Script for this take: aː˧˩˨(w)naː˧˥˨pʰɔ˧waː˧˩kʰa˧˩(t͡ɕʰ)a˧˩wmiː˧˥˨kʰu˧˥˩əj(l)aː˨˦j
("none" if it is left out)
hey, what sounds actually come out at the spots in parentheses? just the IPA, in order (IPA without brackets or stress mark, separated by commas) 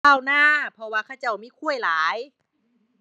w, t͡ɕ, l